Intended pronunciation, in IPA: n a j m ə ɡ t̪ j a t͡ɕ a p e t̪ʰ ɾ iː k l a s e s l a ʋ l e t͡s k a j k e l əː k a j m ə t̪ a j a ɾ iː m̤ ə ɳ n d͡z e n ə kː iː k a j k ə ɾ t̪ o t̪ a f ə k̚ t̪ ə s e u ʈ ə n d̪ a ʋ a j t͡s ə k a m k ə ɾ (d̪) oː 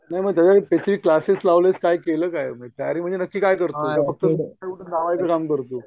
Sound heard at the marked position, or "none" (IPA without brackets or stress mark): t̪